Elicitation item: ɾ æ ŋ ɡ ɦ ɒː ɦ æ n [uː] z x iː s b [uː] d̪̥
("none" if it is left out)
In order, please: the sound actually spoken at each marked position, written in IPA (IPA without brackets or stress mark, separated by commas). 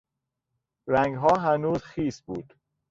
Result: uː, uː